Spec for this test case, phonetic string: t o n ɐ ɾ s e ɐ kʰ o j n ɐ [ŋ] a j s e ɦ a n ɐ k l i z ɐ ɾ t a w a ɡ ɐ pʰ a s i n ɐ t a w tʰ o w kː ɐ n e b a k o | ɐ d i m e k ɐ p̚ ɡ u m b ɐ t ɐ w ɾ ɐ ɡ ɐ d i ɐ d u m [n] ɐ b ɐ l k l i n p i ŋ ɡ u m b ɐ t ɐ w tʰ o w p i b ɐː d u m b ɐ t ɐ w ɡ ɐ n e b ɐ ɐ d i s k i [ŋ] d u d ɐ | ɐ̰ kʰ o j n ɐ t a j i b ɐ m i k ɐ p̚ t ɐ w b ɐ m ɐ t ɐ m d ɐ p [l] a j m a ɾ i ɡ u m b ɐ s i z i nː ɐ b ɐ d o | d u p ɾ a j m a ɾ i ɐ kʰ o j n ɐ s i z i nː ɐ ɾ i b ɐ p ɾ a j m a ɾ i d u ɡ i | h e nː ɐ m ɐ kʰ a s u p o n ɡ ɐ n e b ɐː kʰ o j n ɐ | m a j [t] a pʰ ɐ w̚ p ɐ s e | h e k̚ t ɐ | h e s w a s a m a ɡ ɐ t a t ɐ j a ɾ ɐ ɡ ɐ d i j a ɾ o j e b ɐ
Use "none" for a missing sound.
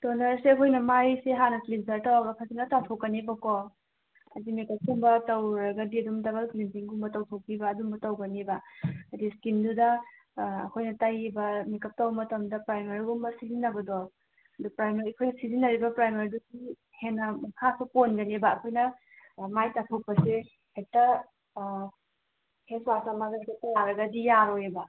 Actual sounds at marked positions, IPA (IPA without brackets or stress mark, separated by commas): m, d, n, ɾ, t